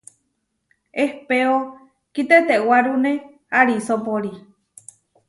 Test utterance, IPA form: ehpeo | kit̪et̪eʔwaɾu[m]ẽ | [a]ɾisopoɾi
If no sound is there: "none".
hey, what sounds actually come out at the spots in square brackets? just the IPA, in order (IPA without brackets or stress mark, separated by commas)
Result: n, a